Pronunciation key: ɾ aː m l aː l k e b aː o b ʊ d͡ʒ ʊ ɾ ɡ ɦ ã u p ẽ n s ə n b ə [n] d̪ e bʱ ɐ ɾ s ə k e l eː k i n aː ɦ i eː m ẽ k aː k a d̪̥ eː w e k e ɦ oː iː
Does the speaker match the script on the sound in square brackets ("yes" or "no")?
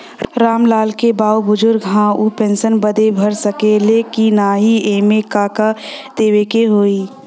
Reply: no